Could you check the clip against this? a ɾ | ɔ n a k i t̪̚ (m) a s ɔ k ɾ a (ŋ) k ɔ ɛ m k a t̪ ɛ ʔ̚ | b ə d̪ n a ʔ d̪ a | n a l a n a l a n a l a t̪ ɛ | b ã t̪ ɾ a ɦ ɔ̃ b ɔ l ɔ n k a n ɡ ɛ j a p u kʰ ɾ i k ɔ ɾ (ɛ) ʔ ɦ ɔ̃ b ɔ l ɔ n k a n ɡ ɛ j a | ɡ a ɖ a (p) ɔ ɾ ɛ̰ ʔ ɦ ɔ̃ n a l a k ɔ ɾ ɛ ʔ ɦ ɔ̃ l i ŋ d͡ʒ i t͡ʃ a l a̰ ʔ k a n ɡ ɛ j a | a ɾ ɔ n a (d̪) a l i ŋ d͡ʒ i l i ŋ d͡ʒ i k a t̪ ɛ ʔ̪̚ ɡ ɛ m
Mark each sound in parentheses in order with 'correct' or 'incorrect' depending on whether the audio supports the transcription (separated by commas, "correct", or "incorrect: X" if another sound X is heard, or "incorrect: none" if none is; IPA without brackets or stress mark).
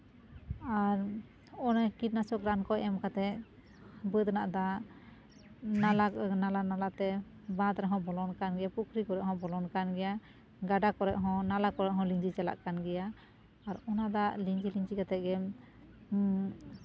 incorrect: n, incorrect: n, correct, incorrect: k, correct